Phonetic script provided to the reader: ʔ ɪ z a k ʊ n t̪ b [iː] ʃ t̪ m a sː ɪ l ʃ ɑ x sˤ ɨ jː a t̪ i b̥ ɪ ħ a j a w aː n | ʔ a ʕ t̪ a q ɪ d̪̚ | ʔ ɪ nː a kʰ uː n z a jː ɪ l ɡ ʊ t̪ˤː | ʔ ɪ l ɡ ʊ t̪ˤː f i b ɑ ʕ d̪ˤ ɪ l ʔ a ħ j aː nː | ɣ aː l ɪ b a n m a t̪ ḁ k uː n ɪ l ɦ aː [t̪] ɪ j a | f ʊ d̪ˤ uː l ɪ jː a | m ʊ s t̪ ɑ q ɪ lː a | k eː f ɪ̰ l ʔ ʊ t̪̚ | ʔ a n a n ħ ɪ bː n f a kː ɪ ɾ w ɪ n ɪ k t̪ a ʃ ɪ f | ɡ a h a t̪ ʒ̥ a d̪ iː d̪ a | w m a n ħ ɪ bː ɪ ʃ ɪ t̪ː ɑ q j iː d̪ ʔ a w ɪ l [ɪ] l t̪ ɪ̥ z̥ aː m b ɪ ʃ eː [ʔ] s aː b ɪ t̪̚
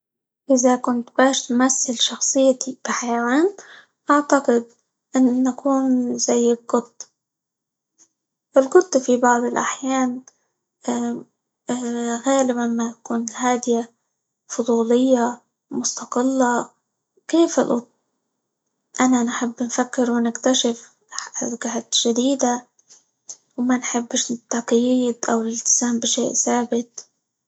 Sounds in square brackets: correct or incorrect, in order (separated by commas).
incorrect, incorrect, correct, correct